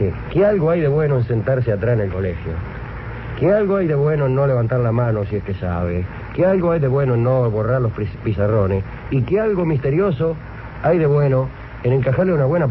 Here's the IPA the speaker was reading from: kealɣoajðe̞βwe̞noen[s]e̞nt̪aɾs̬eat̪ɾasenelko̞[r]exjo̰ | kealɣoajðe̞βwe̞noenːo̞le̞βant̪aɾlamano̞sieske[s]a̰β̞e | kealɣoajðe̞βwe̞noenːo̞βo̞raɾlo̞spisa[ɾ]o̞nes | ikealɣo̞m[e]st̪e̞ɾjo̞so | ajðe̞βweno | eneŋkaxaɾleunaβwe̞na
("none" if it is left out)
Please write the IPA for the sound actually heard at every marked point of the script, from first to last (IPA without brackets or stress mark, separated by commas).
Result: s, l, s, r, i